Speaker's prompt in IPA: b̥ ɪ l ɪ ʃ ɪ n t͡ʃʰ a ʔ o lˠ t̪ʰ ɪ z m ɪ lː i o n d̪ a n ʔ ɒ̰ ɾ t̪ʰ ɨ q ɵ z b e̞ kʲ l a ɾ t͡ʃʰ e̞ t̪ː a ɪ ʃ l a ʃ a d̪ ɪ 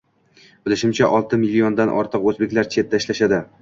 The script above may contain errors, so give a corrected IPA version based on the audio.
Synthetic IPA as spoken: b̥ ɪ l ɪ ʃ ɪ m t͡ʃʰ a ʔ ɒ lˠ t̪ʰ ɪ m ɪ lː i o n d̪ a n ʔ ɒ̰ ɾ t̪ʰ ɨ q ɵ z b e̞ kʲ l a ɾ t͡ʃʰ e̞ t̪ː a ɪ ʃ l a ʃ a d̪ ɪ